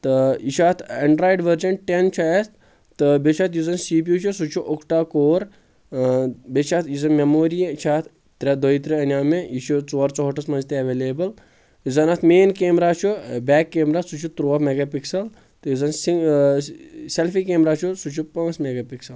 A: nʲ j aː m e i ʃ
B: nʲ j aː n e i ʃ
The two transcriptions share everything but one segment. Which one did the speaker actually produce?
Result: A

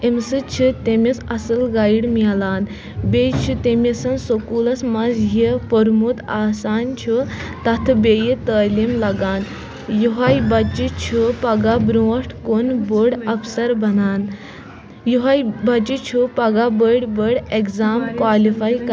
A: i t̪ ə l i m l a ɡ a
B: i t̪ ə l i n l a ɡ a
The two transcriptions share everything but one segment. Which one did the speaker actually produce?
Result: A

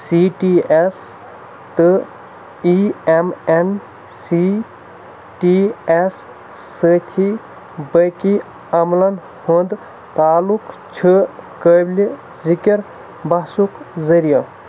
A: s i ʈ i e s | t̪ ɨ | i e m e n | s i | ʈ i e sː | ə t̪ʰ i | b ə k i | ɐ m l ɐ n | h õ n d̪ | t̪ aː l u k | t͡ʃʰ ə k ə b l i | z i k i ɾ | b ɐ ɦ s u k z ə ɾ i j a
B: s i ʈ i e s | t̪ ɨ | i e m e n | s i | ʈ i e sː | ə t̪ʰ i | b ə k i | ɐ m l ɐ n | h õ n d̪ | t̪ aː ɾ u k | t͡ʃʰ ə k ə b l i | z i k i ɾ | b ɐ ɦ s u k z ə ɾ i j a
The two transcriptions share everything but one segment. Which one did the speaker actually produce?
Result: A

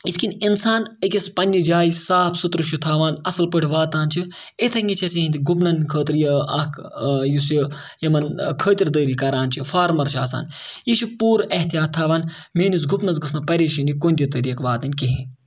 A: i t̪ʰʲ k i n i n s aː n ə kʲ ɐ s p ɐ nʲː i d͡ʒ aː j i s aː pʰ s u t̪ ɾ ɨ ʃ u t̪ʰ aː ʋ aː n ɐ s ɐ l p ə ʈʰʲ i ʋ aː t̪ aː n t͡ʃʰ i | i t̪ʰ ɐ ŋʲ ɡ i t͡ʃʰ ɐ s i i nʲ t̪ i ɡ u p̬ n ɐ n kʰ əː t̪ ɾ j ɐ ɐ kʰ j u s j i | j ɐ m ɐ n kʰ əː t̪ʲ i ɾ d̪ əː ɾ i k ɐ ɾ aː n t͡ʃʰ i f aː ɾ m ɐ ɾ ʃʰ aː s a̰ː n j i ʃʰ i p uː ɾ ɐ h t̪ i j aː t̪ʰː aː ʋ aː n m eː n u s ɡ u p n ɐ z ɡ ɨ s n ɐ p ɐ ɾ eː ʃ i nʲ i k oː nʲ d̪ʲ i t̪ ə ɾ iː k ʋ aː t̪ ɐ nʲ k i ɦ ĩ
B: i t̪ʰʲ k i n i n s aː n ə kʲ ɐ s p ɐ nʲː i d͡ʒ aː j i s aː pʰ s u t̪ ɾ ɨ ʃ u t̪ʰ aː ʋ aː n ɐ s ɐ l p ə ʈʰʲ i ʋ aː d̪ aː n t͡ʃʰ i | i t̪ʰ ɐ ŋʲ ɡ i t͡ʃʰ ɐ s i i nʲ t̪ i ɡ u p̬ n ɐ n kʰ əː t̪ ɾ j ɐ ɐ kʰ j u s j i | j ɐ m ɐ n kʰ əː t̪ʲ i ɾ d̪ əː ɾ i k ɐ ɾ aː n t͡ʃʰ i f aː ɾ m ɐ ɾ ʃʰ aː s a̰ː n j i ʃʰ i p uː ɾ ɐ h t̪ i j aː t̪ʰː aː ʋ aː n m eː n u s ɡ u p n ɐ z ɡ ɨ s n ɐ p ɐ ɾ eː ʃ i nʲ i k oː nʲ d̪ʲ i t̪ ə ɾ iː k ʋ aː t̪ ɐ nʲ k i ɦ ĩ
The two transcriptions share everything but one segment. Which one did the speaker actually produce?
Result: A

